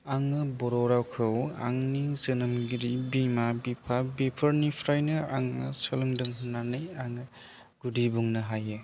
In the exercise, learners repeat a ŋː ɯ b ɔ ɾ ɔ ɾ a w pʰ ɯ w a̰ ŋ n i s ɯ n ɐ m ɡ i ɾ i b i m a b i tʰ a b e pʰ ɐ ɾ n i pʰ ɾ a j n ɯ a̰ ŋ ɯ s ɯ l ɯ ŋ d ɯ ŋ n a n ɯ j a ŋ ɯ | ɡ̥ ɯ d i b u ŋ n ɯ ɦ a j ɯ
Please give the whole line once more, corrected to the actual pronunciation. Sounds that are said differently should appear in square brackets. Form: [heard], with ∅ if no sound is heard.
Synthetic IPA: a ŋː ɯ b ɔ ɾ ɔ ɾ a w [kʰ] ɯ w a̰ ŋ n i [z] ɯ n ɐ m ɡ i ɾ i b i m a b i [pʰ] a b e pʰ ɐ ɾ n i pʰ ɾ a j n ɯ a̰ ŋ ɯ s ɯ l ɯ ŋ d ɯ ŋ n a n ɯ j a ŋ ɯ | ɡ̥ [u] d i b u ŋ n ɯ ɦ a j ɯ